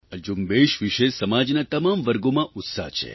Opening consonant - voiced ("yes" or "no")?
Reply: yes